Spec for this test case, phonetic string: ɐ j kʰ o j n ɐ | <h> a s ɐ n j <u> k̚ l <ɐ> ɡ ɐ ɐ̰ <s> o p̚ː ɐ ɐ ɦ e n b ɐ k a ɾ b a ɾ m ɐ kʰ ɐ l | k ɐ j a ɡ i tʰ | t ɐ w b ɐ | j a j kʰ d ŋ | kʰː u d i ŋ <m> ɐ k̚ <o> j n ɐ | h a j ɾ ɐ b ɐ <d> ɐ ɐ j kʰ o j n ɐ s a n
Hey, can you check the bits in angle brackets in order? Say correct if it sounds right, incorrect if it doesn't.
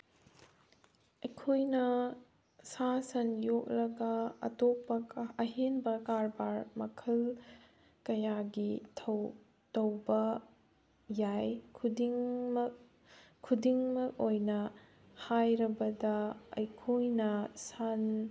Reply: incorrect: s, incorrect: o, correct, incorrect: t, correct, correct, correct

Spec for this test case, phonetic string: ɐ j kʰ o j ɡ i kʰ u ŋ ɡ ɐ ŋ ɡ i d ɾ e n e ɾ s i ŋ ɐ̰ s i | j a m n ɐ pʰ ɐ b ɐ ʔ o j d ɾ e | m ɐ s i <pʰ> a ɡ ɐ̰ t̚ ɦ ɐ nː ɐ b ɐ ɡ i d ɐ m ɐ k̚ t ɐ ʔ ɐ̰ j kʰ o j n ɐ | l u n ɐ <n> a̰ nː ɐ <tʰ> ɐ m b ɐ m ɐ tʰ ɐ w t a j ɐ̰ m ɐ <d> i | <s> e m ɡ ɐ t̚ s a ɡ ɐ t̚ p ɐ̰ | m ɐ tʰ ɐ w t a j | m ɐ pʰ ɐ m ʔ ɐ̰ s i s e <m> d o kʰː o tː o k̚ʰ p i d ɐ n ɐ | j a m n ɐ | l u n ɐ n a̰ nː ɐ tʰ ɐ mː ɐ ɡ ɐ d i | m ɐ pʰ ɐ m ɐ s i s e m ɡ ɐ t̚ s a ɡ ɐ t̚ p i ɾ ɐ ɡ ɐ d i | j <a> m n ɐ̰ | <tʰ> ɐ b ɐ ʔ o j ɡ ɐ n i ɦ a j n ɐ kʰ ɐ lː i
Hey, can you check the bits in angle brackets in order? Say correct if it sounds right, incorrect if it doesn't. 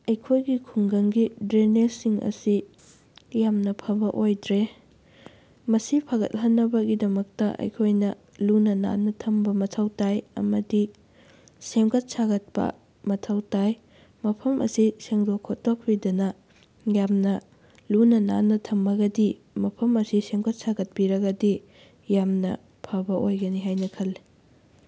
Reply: correct, correct, correct, correct, correct, incorrect: ŋ, correct, incorrect: pʰ

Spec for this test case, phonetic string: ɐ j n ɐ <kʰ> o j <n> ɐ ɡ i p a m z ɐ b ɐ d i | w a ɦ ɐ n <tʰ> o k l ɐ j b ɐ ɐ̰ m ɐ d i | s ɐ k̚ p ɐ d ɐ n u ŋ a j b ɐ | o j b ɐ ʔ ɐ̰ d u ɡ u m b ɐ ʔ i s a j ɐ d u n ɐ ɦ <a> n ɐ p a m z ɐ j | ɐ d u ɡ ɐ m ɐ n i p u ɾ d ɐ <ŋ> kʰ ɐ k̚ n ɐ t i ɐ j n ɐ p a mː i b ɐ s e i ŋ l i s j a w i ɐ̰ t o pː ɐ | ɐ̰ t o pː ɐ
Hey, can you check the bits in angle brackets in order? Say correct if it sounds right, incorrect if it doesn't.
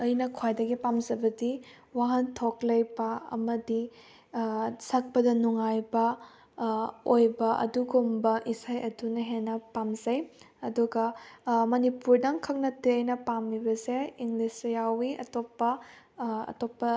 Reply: correct, incorrect: d, correct, incorrect: e, correct

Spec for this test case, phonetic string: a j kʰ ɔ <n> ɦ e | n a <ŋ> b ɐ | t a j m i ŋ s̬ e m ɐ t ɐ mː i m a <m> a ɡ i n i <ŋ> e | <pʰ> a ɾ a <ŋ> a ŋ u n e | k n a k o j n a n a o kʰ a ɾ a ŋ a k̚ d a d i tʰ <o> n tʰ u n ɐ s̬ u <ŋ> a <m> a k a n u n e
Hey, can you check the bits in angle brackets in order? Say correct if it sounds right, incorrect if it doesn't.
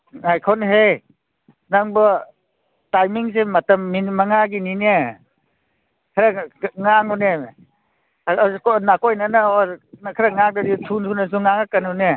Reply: correct, correct, incorrect: ŋ, incorrect: n, incorrect: kʰ, correct, incorrect: u, correct, incorrect: ŋ

